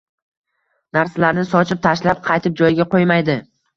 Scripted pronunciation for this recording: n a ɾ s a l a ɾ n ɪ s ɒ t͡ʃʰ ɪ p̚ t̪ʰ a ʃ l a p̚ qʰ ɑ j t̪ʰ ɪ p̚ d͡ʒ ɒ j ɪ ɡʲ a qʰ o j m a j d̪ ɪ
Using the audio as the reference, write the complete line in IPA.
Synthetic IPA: n a ɾ s a l a ɾ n ɪ s ɒ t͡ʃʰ ɪ p̚ t̪ʰ a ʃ l a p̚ qʰ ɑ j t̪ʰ ɪ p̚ d͡ʒ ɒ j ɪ ɡʲ a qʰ o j m a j d̪ ɪ